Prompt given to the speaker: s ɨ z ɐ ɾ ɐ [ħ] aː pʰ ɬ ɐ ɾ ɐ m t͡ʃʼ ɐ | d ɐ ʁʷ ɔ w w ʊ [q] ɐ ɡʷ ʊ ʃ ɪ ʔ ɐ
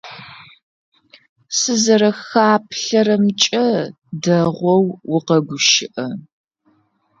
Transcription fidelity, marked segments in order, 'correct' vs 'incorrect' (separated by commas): incorrect, correct